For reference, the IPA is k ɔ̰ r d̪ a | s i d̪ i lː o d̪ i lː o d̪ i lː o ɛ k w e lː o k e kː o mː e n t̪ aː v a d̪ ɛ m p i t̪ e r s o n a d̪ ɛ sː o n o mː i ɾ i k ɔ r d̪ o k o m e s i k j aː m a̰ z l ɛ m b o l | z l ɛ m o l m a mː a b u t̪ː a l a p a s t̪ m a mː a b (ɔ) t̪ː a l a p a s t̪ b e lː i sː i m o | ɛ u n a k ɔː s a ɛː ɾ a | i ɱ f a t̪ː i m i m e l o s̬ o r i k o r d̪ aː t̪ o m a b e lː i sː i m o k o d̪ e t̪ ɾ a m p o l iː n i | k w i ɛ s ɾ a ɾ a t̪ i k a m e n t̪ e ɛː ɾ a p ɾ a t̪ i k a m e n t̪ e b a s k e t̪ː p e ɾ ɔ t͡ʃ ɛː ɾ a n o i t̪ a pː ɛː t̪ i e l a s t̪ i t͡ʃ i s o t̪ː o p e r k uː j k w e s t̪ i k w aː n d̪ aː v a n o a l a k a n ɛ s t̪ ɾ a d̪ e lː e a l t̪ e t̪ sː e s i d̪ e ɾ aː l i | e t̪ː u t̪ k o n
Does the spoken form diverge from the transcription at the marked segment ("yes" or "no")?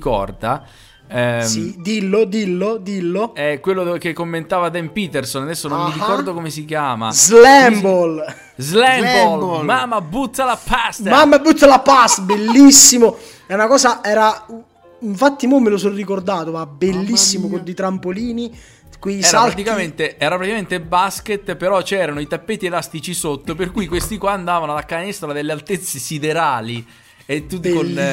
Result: yes